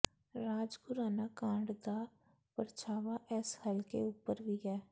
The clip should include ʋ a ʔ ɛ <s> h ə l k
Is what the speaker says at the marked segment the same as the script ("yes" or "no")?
yes